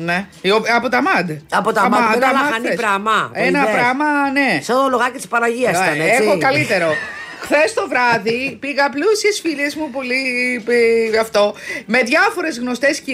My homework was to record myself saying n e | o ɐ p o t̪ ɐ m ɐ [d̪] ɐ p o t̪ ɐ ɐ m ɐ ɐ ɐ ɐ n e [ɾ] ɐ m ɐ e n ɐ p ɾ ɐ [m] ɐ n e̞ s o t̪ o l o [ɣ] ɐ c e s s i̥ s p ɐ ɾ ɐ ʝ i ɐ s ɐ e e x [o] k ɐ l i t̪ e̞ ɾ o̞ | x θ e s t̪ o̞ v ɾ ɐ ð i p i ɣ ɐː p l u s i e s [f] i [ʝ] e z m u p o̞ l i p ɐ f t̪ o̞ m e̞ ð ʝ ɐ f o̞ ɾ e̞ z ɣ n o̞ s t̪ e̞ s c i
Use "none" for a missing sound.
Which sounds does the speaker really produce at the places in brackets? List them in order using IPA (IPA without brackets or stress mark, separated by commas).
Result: d̪, ɾ, m, ɣ, o, f, ʎ